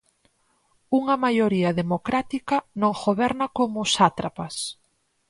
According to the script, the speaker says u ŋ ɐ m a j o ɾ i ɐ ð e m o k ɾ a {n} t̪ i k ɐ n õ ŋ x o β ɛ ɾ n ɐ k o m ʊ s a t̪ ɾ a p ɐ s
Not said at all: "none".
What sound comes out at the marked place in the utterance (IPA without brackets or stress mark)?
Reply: none